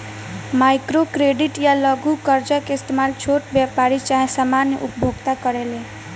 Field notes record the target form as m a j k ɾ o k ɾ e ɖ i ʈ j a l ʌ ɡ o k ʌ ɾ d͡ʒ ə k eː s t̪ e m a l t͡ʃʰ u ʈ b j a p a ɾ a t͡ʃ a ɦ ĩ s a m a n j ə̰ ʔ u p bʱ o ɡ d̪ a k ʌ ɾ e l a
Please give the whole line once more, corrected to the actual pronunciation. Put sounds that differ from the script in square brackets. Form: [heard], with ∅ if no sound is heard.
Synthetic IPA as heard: m a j k ɾ o k ɾ e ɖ i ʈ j a l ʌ ɡ [u] k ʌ ɾ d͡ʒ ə k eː s t̪ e m a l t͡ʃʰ [o] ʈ b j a p a ɾ [i] t͡ʃ a ɦ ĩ s a m a n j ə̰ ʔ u p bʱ o ɡ [t̪] a k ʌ ɾ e l [e]